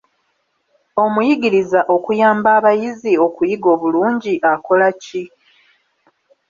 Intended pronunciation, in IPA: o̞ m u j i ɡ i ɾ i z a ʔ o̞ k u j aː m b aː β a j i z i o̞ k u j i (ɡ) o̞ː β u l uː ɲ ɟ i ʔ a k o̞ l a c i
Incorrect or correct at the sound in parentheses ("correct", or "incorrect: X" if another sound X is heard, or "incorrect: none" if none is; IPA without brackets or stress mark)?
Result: correct